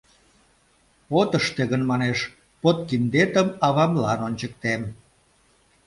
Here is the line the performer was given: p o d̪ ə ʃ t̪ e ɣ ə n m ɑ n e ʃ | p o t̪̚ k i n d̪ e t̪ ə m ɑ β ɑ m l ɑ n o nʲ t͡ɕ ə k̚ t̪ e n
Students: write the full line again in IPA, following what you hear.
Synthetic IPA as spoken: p o t̪ ə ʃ t̪ e ɣ ə n m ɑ n e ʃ | p o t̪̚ k i n d̪ e t̪ ə m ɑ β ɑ m l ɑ n o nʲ t͡ɕ ə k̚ t̪ e m